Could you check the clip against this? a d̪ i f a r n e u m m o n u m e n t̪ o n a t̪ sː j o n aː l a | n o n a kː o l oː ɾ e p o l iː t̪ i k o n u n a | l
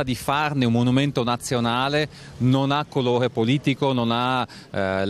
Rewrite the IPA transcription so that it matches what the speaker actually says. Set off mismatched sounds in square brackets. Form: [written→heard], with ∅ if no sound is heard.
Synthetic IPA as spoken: a d̪ i f a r n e u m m o n u m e n t̪ o n a t̪ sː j o n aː l [a→e] | n o n a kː o l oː ɾ e p o l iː t̪ i k o n [u→o] n a | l

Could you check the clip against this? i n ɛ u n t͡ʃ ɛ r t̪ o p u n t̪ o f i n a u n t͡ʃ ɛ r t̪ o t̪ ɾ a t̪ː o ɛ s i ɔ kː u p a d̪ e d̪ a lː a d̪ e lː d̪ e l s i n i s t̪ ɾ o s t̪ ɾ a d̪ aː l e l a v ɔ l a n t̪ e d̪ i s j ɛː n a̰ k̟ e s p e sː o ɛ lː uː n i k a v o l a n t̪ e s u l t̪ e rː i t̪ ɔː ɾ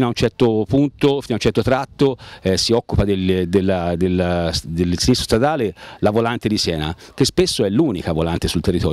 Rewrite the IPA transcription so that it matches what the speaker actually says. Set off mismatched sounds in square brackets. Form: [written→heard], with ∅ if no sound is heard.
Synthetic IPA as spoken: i n [ɛ→a] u n t͡ʃ ɛ r t̪ o p u n t̪ o f i n a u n t͡ʃ ɛ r t̪ o t̪ ɾ a t̪ː o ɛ s i ɔ kː u p a d̪ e d̪ [a→e] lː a d̪ e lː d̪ e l s i n i s t̪ ɾ o s t̪ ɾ a d̪ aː l e l a v [ɔ→o] l a n t̪ e d̪ i s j ɛː n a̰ k̟ e s p e sː o ɛ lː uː n i k a v o l a n t̪ e s u l t̪ e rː i t̪ ɔː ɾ

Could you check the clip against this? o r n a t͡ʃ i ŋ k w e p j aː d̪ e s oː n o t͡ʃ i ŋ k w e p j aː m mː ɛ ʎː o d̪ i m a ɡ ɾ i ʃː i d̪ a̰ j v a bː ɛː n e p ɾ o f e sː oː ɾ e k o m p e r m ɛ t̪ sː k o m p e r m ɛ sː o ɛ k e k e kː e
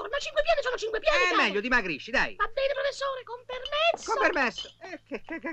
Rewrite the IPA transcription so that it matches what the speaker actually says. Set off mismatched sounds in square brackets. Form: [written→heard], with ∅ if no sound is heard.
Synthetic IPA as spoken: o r n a t͡ʃ i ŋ k w e p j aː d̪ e s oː n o t͡ʃ i ŋ k w e p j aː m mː ɛ ʎː o d̪ i m a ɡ ɾ i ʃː i d̪ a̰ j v a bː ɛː n e p ɾ o f e sː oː ɾ e k o m p e r m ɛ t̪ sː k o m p e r m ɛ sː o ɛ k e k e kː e

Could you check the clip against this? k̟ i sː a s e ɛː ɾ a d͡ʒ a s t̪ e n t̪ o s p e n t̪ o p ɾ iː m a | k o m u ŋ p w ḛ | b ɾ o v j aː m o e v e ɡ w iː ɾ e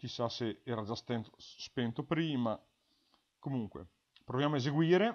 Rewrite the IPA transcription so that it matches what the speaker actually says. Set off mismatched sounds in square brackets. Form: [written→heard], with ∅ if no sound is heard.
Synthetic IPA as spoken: k̟ i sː a s e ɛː ɾ a d͡ʒ a s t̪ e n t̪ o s p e n t̪ o p ɾ iː m a | k o m u ŋ [p→k] w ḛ | [b→p] ɾ o v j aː m o e [v→z] e ɡ w iː ɾ e

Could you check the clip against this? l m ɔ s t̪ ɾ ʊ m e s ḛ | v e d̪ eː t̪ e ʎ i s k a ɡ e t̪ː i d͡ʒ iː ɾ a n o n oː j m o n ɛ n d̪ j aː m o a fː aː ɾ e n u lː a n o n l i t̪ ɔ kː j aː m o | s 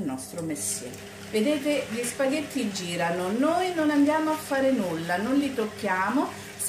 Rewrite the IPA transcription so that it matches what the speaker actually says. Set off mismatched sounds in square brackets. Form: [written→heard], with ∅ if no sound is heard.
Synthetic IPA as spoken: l [m→n] ɔ s t̪ ɾ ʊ m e s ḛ | v e d̪ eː t̪ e ʎ i s [k→p] a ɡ e t̪ː i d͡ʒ iː ɾ a n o n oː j [m→n] o n [ɛ→a] n d̪ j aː m o a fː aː ɾ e n u lː a n o n l i t̪ [ɔ→o] kː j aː m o | s

